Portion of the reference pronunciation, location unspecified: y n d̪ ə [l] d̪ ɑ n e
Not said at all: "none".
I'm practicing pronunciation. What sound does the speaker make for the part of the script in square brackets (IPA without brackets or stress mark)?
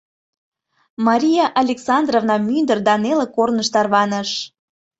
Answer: r